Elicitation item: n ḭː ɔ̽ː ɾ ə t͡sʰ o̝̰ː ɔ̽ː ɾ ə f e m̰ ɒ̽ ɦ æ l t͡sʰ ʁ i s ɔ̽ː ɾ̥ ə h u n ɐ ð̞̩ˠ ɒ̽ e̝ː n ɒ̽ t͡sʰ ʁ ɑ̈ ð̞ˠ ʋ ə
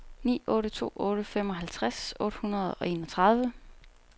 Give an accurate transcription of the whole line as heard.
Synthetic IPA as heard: n ḭː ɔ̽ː ɾ ə t͡sʰ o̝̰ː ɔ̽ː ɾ ə f e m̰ ɒ̽ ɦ æ l t͡sʰ ʁ a s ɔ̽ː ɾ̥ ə h u n ɐ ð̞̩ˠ ɒ̽ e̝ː n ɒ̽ t͡sʰ ʁ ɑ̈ ð̞ˠ ʋ ə